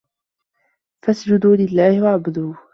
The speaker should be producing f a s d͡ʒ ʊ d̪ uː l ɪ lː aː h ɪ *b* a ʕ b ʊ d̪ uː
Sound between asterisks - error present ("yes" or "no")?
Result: yes